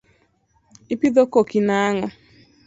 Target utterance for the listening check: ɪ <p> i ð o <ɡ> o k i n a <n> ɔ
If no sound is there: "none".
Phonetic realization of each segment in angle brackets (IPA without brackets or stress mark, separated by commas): p, k, ŋ